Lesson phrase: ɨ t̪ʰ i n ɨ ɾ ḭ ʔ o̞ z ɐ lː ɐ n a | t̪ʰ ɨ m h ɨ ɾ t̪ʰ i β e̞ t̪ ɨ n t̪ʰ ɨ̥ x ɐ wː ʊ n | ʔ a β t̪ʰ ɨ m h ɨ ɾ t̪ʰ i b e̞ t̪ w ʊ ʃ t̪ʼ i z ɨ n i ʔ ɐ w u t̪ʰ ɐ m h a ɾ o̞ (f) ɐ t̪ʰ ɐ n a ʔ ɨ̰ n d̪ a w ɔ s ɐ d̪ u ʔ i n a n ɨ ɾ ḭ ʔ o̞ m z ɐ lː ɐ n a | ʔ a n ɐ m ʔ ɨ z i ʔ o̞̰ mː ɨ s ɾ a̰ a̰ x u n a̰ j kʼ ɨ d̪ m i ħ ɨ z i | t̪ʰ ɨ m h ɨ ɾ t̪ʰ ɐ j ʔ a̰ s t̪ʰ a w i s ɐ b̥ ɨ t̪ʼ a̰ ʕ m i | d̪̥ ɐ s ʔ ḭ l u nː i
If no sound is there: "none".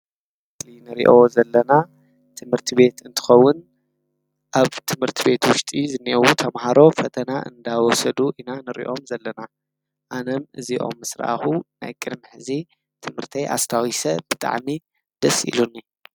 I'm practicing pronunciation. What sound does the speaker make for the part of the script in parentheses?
f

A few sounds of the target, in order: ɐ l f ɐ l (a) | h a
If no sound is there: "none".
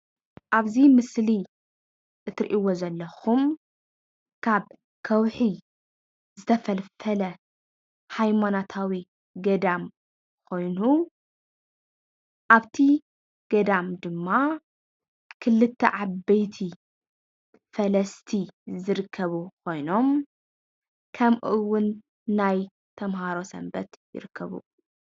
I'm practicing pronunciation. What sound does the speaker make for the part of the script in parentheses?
ɐ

